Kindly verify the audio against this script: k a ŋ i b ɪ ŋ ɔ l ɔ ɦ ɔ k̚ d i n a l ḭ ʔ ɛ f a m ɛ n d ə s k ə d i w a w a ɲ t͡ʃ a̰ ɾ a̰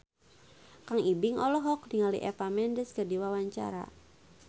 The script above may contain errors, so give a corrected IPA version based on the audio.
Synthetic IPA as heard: k a ŋ i b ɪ ŋ ɔ l ɔ ɦ ɔ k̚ d i ŋ a l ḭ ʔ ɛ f a m ɛ n d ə s k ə d i w a w a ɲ t͡ʃ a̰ ɾ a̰